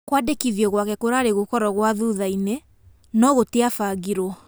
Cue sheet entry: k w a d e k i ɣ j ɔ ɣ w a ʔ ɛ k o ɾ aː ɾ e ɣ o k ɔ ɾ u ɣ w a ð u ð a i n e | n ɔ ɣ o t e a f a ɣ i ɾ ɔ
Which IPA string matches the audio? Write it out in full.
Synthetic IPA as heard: k w a d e k i ð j ɔ ɣ w a k ɛ k o ɾ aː ɾ e ɣ o k ɔ ɾ ɔ ɣ w a ð u ð a i n e | n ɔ ɣ o t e a f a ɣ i ɾ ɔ